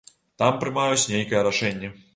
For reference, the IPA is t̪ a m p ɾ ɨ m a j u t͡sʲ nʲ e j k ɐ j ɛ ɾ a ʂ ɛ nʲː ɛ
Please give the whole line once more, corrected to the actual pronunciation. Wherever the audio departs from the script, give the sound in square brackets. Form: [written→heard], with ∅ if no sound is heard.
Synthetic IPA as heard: t̪ a m p ɾ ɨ m a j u t͡sʲ nʲ e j k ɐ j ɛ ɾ a ʂ ɛ nʲː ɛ